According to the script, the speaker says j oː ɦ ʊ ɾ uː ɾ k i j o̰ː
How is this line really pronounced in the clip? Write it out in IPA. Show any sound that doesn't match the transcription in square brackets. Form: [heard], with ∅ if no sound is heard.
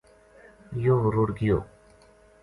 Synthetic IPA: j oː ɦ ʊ ɾ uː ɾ [ɡ] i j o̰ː